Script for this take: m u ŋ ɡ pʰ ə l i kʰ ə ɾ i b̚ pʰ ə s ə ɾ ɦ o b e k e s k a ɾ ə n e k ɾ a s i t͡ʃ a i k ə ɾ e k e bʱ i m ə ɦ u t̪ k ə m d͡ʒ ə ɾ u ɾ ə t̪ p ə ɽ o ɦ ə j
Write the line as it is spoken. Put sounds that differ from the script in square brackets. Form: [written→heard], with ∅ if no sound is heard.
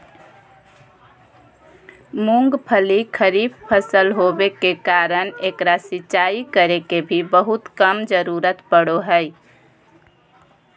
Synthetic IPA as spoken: m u ŋ ɡ pʰ ə l i kʰ ə ɾ i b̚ pʰ ə s ə [ɾ→l] ɦ o b e k e [s→∅] k a ɾ ə n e k ɾ a s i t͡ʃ a i k ə ɾ e k e bʱ i [m→b] ə ɦ u t̪ k ə m d͡ʒ ə ɾ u ɾ ə t̪ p ə ɽ o ɦ ə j